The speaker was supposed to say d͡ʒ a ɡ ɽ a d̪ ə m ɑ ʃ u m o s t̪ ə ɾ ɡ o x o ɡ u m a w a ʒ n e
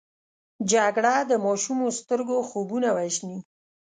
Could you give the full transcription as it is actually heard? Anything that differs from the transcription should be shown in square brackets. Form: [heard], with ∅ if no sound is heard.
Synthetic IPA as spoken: d͡ʒ a ɡ ɽ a d̪ ə m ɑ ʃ u m o s t̪ ə ɾ ɡ o x o [b] u [n] a w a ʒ n [i]

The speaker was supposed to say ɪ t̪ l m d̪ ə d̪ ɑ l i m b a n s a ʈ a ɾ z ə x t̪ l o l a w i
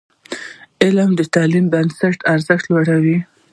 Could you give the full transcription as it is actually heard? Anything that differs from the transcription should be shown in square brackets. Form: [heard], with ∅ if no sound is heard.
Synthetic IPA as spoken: ɪ [∅] l m d̪ ə [t̪] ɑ l i m b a n s a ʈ a ɾ z ə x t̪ l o [ɽ] a w i

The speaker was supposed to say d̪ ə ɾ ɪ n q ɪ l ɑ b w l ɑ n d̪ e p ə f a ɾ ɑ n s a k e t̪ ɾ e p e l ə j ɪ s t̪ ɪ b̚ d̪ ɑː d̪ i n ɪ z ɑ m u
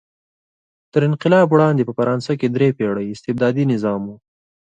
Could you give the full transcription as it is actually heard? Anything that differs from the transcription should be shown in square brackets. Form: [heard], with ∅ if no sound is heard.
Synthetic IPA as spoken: [t̪] ə ɾ ɪ n q ɪ l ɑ b w [ɽ] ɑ n d̪ e p ə f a ɾ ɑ n s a k e [d̪] ɾ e p e [ɽ] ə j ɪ s t̪ ɪ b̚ d̪ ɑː d̪ i n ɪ z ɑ m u

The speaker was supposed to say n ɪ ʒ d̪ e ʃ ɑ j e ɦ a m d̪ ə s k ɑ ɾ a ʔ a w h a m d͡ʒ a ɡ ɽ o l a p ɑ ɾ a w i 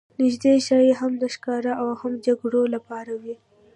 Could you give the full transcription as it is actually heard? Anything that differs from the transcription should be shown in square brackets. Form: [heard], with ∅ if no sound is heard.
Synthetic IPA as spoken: n ɪ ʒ d̪ e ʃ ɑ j e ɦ a m d̪ ə [ʃ] k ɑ ɾ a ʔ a w h a m d͡ʒ a ɡ ɽ o l a p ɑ ɾ a w i

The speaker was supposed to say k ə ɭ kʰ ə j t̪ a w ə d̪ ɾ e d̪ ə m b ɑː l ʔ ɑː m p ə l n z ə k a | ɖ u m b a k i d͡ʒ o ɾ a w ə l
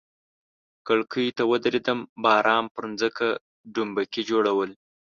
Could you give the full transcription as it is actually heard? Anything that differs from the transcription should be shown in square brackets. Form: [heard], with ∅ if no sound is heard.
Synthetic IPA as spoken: k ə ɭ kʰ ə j t̪ a w ə d̪ ɾ e d̪ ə m b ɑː [ɾ] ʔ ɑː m p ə [ɾ] n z ə k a | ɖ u m b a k i d͡ʒ o [ɽ] a w ə l

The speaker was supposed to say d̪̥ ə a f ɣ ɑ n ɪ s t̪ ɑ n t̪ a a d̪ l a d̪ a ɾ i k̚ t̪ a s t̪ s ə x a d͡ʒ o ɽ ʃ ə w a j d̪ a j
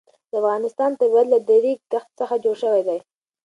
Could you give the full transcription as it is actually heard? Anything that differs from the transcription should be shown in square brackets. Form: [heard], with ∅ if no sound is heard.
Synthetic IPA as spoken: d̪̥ ə a f ɣ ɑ n ɪ s t̪ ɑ n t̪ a a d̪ l a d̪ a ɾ i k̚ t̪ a [x] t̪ s ə x a d͡ʒ o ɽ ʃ ə w a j d̪ a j

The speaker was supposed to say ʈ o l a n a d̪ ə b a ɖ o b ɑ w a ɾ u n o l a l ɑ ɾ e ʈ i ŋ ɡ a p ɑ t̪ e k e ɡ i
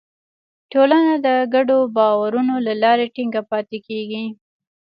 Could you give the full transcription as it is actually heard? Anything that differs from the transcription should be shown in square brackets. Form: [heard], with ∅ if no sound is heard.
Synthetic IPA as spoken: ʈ o l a n a d̪ ə [ɡ] a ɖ o b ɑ w a ɾ u n o l a l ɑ ɾ e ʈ i ŋ ɡ a p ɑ t̪ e k e ɡ i

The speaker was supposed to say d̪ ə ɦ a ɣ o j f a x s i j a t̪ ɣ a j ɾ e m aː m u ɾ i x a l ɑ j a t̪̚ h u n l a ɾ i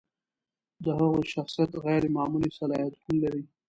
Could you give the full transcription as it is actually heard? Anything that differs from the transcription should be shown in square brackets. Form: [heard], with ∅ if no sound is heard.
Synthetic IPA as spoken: d̪ ə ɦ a ɣ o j [ʃ] a x s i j a t̪ ɣ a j ɾ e m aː m u [l] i [s] a l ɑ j a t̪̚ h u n l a ɾ i

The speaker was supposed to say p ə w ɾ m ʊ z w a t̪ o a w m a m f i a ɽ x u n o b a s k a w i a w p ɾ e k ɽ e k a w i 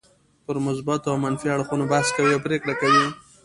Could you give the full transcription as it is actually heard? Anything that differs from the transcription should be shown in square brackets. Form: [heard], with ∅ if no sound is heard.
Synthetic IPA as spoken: p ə [∅] ɾ m ʊ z [b] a t̪ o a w m a [n] f i a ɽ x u n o b a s k a w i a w p ɾ e k ɽ [a] k a w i

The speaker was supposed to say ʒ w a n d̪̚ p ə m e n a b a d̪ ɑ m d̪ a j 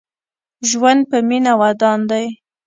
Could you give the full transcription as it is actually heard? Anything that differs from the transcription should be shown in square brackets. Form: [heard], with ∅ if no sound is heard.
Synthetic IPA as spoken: ʒ w a n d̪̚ p ə m [i] n a [w] a d̪ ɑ [n] d̪ a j

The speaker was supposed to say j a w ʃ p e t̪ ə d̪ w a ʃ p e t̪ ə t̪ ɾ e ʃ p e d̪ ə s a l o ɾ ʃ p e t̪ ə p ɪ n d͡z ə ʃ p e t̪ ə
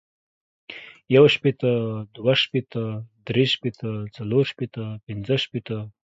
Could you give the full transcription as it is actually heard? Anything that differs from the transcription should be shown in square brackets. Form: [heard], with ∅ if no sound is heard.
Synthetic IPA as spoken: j a w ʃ p e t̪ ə d̪ w a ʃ p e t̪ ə [d̪] ɾ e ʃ p e [t̪] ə [t͡s] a l o ɾ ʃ p e t̪ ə p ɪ n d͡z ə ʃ p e t̪ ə

